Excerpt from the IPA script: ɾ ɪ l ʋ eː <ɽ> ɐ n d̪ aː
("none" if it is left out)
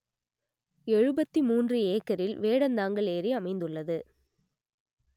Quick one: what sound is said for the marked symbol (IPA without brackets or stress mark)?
ɽ